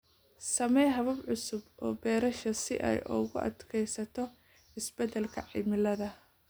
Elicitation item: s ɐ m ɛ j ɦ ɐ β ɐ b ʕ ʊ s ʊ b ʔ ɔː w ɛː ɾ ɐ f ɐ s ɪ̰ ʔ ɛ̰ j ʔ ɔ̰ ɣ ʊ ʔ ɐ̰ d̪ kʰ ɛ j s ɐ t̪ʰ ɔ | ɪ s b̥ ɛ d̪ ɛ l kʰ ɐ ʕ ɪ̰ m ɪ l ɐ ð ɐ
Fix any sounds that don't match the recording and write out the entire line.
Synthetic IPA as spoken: s ɐ m ɛ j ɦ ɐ β ɐ b ʕ ʊ s ʊ b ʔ ɔː b ɛː ɾ ɐ ʃ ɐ s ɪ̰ ʔ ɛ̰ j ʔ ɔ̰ ɣ ʊ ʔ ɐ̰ d̪ kʰ ɛ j s ɐ t̪ʰ ɔ | ɪ s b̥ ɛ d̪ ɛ l kʰ ɐ ʕ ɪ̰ m ɪ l ɐ ð ɐ